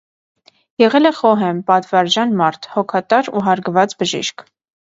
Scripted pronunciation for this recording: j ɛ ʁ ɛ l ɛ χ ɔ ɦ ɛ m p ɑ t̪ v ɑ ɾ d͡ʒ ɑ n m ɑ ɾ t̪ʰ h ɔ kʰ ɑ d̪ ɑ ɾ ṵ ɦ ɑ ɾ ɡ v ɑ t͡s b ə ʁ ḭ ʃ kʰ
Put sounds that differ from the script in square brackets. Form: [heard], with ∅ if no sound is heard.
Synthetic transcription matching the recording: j ɛ ʁ ɛ l ɛ χ ɔ ɦ ɛ m p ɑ t̪ v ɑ ɾ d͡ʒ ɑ n m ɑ ɾ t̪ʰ h ɔ kʰ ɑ [t̪] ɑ ɾ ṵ ɦ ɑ ɾ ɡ v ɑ t͡s b ə [ʒ] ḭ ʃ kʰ